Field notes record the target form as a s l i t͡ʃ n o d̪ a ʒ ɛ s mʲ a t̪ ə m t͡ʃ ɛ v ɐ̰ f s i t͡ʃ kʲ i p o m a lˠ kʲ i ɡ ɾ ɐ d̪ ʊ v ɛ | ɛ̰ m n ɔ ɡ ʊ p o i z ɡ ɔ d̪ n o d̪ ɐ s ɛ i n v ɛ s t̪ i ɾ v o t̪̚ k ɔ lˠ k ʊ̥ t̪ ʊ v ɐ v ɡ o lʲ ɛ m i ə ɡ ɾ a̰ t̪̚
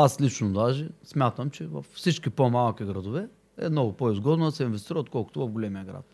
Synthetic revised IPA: a s l i t͡ʃ n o d̪ a ʒ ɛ s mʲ a t̪ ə m t͡ʃ ɛ v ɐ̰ f s i t͡ʃ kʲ i p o m a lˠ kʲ i ɡ ɾ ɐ d̪ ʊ v ɛ | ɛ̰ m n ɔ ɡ ʊ p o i z ɡ ɔ d̪ n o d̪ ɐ s ɛ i n v ɛ s t̪ i ɾ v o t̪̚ k ɔ lˠ k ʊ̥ t̪ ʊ v ɐ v ɡ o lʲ ɛ m i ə ɡ ɾ a̰ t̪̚